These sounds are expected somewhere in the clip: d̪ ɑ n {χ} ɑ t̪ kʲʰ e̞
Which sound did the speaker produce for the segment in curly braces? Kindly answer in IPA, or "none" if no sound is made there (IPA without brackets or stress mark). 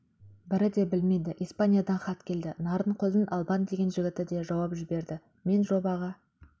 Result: χ